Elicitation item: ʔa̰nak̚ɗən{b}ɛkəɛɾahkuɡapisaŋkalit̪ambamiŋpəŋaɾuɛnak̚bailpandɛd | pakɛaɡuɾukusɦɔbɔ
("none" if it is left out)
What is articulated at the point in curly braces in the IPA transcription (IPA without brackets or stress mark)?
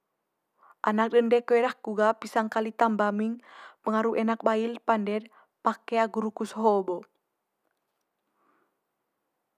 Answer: d